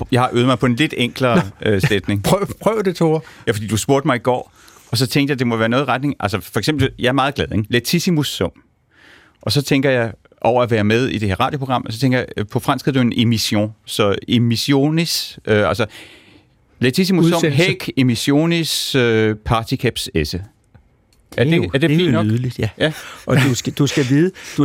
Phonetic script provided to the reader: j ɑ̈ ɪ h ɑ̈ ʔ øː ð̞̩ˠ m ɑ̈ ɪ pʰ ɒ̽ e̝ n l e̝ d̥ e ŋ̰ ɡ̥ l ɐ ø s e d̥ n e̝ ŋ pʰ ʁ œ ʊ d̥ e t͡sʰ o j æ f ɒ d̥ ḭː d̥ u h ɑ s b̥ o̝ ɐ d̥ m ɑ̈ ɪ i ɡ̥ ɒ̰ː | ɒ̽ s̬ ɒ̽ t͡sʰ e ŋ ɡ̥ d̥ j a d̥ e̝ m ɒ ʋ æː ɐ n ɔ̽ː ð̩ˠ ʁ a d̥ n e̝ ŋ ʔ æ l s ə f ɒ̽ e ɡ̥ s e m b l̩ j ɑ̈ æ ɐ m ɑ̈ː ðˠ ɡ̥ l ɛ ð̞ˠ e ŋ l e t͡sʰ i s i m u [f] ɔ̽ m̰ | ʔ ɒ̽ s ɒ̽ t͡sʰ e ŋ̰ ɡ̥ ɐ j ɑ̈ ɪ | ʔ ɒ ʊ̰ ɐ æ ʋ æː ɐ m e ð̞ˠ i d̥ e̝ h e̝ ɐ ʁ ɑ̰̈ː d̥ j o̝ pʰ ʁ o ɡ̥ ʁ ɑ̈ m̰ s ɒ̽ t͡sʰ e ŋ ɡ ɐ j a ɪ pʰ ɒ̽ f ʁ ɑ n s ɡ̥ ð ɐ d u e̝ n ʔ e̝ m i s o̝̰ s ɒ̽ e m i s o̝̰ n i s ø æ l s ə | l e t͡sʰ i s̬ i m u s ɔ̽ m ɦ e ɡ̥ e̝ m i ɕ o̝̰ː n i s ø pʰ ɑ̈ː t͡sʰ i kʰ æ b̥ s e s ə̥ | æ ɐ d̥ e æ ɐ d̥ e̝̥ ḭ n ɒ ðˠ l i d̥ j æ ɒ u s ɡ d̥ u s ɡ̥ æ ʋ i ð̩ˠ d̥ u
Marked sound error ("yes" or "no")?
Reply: yes